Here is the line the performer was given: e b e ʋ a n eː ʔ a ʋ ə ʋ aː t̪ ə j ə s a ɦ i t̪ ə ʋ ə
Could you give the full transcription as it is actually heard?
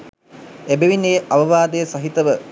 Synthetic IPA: e b e ʋ i n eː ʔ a ʋ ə ʋ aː d̪ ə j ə s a ɦ i t̪ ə ʋ ə

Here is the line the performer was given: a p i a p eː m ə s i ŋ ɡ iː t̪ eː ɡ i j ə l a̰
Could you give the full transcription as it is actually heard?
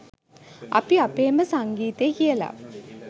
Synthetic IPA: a p i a p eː m ə s a ŋ ɡ iː t̪ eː k i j ə l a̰

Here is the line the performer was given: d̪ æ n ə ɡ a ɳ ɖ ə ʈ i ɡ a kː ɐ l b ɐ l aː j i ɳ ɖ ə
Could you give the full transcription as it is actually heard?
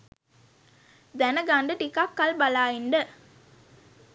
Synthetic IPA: d̪ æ n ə ɡ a ɳ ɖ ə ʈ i k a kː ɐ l b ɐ l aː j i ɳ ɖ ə

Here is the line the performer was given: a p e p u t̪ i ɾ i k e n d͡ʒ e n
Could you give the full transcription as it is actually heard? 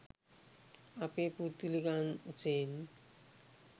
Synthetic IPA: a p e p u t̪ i l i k a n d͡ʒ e n

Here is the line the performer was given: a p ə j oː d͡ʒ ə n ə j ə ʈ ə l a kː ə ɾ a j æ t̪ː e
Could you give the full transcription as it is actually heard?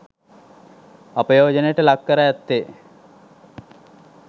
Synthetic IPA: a p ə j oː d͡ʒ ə n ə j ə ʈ ə l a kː ə ɾ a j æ t̪ː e

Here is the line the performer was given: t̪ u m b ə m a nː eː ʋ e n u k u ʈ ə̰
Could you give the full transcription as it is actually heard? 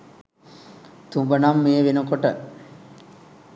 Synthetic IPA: t̪ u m b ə n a mː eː ʋ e n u k o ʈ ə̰

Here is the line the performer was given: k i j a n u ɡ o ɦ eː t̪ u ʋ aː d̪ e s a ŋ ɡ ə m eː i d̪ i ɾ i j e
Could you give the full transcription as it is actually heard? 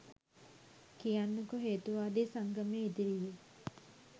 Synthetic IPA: k i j a nː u k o ɦ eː t̪ u ʋ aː d̪ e s a ŋ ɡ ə m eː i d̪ i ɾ i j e

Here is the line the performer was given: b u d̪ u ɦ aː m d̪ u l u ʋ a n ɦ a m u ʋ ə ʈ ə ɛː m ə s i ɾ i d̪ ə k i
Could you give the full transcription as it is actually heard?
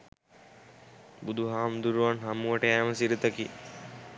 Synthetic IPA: b u d̪ u ɦ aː m d̪ u ɾ u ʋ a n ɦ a m u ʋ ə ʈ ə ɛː m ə s i ɾ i t̪ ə k i

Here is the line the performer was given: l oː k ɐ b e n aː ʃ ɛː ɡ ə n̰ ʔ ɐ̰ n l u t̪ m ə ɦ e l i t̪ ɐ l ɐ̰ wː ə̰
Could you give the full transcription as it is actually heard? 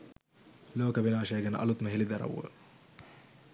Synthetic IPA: l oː k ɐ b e n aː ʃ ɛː ɡ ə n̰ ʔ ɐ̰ l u t̪ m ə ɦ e l i d̪ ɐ ɾ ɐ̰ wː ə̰

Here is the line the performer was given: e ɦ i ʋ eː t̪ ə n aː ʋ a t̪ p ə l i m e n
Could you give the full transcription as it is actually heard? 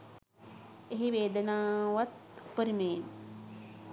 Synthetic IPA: e ɦ i ʋ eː d̪ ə n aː ʋ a t̪ p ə ɾ i m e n

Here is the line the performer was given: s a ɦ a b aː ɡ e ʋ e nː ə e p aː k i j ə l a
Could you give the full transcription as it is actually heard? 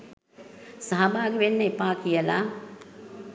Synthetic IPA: s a ɦ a b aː ɡ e ʋ e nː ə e p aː k i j ə l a

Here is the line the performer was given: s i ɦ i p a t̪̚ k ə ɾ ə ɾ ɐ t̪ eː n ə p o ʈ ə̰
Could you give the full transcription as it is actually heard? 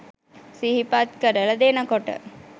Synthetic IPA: s i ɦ i p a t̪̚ k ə ɾ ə l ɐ d̪ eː n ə k o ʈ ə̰

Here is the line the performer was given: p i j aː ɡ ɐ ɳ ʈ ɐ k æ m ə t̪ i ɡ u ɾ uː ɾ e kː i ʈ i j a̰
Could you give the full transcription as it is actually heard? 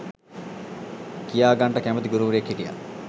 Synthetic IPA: k i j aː ɡ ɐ ɳ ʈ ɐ k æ m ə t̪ i ɡ u ɾ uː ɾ e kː i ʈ i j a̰

